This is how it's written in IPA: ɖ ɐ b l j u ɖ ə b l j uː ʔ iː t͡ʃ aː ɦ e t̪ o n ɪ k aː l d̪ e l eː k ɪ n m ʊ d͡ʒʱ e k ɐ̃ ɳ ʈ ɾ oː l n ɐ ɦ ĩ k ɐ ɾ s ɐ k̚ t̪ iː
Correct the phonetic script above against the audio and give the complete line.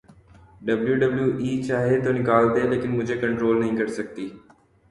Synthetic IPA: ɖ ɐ b l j u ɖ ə b l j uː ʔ iː t͡ʃ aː ɦ e t̪ o n ɪ k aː l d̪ e l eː k ɪ n m ʊ d͡ʒʱ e k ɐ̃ ɳ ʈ ɾ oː l n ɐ ɦ ĩ k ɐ ɾ s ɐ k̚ t̪ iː